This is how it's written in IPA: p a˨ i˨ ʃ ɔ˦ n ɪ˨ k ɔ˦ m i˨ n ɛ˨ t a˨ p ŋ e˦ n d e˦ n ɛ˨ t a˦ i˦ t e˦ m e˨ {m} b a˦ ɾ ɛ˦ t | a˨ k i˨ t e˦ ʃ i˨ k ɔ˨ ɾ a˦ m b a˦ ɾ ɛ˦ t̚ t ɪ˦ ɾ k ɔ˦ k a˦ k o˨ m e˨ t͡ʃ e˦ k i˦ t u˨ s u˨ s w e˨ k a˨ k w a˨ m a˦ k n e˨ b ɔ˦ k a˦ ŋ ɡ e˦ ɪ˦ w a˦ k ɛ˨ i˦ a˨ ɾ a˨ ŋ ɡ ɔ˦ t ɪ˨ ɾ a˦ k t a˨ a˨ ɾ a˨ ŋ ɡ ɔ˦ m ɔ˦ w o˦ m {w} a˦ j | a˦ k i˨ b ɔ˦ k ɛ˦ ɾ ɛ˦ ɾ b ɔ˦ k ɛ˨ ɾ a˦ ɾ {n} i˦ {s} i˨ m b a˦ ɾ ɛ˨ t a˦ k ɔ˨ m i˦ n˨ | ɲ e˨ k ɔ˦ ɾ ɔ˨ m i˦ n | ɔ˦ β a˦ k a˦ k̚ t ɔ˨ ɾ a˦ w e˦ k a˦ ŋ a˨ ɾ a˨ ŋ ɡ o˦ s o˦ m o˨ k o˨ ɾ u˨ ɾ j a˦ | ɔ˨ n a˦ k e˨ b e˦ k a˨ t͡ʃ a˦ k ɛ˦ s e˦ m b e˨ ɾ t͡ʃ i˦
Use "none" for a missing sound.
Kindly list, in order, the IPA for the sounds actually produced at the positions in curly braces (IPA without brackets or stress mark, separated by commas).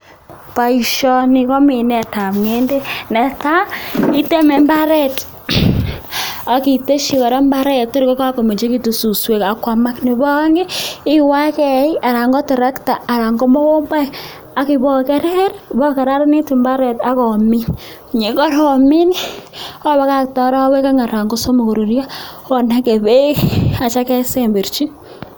m, b, n, t